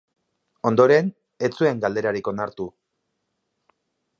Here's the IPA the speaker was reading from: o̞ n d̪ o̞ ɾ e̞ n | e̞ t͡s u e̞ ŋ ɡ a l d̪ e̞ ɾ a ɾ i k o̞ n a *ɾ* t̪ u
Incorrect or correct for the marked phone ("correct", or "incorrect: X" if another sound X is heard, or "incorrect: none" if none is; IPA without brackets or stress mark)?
correct